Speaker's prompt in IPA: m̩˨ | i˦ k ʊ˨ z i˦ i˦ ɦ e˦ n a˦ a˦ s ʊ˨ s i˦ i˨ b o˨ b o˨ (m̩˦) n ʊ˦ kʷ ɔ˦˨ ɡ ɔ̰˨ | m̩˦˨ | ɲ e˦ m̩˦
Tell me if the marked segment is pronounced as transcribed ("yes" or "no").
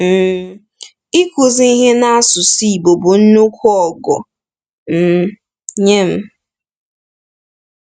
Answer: no